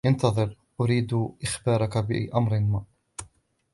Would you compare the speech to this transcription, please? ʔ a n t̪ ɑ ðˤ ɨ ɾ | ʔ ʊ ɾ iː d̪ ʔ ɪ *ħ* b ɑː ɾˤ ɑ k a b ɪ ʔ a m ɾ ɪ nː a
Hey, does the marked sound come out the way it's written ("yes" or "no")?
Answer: no